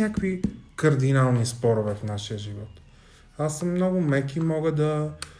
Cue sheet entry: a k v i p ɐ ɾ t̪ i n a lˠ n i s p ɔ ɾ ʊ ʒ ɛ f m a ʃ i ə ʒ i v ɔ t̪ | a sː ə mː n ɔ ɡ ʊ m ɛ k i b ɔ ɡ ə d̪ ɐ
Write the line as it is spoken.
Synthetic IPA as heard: a k v i k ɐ ɾ d̪ i n a lˠ n i s p ɔ ɾ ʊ v ɛ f n a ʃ i ə ʒ i v ɔ t̪ | a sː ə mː n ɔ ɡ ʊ m ɛ k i m ɔ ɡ ə d̪ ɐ